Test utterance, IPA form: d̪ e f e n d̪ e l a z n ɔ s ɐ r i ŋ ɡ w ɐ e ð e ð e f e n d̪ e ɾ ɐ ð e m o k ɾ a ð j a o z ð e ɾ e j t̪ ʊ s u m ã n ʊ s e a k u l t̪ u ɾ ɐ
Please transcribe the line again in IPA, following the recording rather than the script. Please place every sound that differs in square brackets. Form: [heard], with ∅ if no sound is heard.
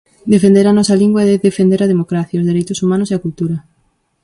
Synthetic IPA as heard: d̪ e f e n d̪ e [ɾ] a [∅] n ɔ s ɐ [l] i ŋ ɡ w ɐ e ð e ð e f e n d̪ e ɾ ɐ ð e m o k ɾ a [θ] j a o z ð e ɾ e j t̪ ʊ s u m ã n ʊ s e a k u l t̪ u ɾ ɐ